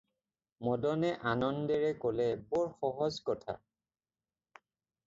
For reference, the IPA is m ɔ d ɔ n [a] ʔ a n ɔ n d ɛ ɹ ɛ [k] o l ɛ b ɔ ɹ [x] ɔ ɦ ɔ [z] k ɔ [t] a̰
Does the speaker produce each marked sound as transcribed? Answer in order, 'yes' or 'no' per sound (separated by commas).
no, yes, yes, yes, no